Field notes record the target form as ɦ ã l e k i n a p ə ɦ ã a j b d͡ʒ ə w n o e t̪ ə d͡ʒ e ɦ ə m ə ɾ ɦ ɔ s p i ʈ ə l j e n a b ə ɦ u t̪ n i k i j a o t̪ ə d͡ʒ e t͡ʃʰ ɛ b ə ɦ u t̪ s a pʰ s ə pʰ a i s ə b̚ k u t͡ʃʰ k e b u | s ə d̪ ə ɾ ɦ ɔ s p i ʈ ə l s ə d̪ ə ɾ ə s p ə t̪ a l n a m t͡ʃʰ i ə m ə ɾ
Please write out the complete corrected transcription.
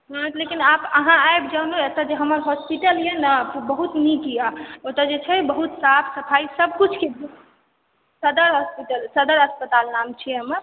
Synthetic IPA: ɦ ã l e k i n a p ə ɦ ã a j b d͡ʒ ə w n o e t̪ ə d͡ʒ e ɦ ə m ə ɾ ɦ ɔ s p i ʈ ə l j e n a b ə ɦ u t̪ n i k i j a o t̪ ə d͡ʒ e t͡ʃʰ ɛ b ə ɦ u t̪ s a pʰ s ə pʰ a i s ə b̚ k u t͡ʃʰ k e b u | s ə d̪ ə ɾ ɦ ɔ s p i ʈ ə l s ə d̪ ə ɾ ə s p ə t̪ a l n a m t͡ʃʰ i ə m ə ɾ

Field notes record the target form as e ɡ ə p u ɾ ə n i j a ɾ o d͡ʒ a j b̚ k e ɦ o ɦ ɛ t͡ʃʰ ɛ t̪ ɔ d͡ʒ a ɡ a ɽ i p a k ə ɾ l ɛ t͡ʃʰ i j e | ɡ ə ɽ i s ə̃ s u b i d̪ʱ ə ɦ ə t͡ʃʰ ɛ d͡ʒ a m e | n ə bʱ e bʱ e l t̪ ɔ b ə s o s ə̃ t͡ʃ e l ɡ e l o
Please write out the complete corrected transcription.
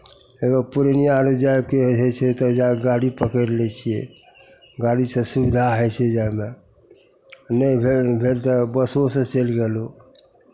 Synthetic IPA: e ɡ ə p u ɾ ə n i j a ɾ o d͡ʒ a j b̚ k e ɦ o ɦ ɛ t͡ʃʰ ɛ t̪ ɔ d͡ʒ a ɡ a ɽ i p ə k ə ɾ l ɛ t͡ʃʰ i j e | ɡ a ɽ i s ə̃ s u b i d̪ʱ a ɦ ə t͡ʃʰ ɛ d͡ʒ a m e | n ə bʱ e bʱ e l t̪ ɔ b ə s o s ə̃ t͡ʃ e l ɡ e l o

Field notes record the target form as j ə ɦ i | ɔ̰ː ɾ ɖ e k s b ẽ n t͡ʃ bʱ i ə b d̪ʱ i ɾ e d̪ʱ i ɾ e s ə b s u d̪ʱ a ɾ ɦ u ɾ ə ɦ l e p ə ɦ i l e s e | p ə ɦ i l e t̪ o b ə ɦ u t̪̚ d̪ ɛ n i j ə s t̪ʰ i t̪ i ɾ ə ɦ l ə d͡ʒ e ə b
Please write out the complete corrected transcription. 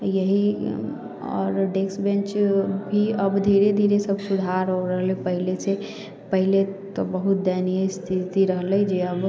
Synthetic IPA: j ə ɦ i | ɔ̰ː ɾ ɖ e k s b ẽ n t͡ʃ bʱ i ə b d̪ʱ i ɾ e d̪ʱ i ɾ e s ə b s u d̪ʱ a ɾ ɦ o ɾ ə ɦ l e p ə ɦ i l e s e | p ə ɦ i l e t̪ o b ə ɦ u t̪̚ d̪ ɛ n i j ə s t̪ʰ i t̪ i ɾ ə ɦ l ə d͡ʒ e ə b

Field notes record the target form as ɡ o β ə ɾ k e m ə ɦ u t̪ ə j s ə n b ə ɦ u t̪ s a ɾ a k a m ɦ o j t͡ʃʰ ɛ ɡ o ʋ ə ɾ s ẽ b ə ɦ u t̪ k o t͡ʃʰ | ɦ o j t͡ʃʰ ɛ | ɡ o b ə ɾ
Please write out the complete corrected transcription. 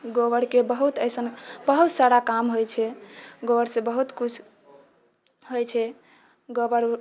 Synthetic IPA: ɡ o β ə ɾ k e b ə ɦ u t̪ ə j s ə n b ə ɦ u t̪ s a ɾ a k a m ɦ o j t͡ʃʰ ɛ ɡ o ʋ ə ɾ s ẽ b ə ɦ u t̪ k u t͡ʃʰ | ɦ o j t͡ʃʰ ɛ | ɡ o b ə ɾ

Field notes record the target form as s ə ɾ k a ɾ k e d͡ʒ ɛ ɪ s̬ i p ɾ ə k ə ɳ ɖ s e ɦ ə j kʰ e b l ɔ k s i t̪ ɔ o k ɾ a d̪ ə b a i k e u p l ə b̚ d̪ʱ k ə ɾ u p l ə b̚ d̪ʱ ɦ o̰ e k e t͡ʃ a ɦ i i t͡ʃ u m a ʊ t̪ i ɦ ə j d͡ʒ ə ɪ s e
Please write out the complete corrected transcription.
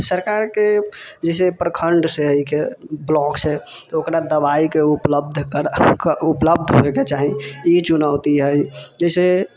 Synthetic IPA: s ə ɾ k a ɾ k e d͡ʒ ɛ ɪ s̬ e p ɾ ə kʰ ə ɳ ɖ s e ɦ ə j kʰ e b l ɔ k s e t̪ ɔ o k ɾ a d̪ ə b a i k e u p l ə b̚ d̪ʱ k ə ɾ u p l ə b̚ d̪ʱ ɦ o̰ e k e t͡ʃ a ɦ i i t͡ʃ u n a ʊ t̪ i ɦ ə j d͡ʒ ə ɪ s e

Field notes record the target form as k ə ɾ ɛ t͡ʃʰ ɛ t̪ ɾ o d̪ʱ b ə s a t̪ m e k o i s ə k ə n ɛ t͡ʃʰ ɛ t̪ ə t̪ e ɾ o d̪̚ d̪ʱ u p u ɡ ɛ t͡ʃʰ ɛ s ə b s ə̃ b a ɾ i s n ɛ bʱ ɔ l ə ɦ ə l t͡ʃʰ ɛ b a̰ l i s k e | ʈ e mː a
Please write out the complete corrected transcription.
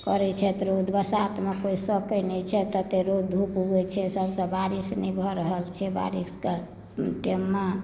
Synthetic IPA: k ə ɾ ɛ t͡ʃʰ ɛ t̪ ɾ o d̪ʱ b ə s a t̪ m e k o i s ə k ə n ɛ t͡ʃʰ ɛ t̪ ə t̪ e ɾ o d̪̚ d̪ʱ u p u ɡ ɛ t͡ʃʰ ɛ s ə b s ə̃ b a ɾ i s n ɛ bʱ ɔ ɾ ə ɦ ə l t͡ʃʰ ɛ b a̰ ɾ i s k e | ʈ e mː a

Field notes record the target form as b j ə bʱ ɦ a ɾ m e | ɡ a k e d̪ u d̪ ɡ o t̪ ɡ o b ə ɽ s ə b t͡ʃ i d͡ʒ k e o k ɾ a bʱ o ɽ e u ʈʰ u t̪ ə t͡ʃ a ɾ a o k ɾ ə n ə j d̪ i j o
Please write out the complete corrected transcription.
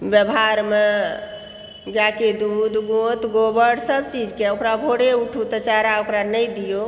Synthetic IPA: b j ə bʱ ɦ a ɾ m e | ɡ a k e d̪ u d̪ ɡ o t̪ ɡ o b ə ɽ s ə b t͡ʃ i d͡ʒ k e o k ɾ a bʱ o ɽ e u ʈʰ u t̪ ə t͡ʃ a ɾ a o k ɾ a n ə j d̪ i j o

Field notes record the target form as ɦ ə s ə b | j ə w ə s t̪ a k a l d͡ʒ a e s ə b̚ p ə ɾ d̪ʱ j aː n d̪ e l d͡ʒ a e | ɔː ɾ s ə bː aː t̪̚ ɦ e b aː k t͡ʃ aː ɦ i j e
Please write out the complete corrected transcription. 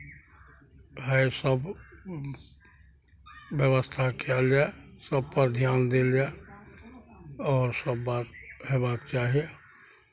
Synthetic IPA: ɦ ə s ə b | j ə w ə s t̪ʰ a k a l d͡ʒ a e s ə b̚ p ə ɾ d̪ʱ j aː n d̪ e l d͡ʒ a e | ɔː ɾ s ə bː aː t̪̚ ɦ e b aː k t͡ʃ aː ɦ i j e

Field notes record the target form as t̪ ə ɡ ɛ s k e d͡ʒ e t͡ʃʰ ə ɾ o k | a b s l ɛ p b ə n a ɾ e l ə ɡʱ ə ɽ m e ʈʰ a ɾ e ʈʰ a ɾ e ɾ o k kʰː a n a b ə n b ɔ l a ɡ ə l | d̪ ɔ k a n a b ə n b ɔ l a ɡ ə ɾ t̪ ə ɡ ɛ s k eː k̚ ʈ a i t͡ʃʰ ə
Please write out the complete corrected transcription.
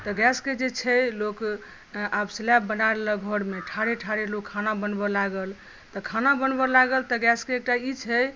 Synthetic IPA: t̪ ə ɡ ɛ s k e d͡ʒ e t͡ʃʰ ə l o k | a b s l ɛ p b ə n a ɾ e l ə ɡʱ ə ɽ m e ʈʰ a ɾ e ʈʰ a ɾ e l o k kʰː a n a b ə n b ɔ l a ɡ ə l | t̪ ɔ kʰ a n a b ə n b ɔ l a ɡ ə l t̪ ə ɡ ɛ s k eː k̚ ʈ a i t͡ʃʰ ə

